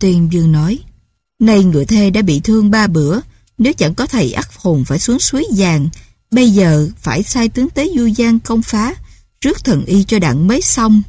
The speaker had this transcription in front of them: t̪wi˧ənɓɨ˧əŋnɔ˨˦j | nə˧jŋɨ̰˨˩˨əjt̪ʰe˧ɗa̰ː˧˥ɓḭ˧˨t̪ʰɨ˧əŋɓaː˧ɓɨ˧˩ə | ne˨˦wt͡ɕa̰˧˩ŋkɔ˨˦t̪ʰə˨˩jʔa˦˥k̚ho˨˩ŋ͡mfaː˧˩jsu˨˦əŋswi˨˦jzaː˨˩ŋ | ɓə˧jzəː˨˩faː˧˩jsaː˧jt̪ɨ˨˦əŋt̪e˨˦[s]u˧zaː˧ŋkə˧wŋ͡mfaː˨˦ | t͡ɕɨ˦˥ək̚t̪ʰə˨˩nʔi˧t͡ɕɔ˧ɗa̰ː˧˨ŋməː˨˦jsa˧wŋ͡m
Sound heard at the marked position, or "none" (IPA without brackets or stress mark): z